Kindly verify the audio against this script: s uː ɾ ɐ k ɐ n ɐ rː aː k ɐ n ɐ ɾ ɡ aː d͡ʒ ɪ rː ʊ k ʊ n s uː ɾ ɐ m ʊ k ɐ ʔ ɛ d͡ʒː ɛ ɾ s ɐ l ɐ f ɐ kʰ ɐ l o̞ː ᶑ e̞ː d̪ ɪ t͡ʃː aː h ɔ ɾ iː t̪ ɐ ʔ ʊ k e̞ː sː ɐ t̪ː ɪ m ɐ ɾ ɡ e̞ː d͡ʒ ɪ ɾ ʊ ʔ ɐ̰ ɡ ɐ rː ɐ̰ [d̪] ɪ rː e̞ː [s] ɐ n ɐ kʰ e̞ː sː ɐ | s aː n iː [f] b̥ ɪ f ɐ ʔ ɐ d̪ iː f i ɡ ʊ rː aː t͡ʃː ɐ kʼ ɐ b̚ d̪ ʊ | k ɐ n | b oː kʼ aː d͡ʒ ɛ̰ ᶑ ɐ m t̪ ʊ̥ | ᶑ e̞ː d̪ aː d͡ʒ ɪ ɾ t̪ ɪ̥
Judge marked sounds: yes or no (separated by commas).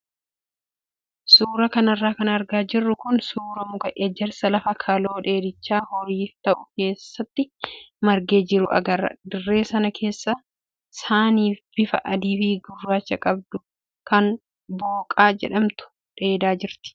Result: yes, yes, yes